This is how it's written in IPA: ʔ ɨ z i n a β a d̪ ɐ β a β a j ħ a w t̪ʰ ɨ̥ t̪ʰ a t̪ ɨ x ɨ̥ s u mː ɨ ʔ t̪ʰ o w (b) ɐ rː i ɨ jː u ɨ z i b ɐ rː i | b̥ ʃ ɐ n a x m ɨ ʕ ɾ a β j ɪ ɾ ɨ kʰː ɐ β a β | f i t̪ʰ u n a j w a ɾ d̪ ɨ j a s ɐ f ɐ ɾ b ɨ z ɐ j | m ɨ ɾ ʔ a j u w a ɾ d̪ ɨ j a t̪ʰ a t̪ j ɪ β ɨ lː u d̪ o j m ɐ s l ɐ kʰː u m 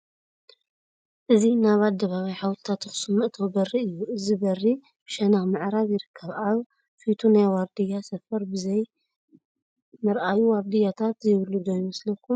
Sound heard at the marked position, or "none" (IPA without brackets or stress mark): b